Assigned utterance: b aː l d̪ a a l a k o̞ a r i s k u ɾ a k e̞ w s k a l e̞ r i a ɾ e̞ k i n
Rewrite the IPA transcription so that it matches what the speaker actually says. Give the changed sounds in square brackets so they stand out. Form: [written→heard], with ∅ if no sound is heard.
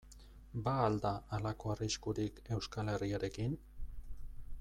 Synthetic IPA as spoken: b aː l d̪ a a l a k o̞ a r i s k u ɾ [a→i] k e̞ w s k a l e̞ r i a ɾ e̞ k i n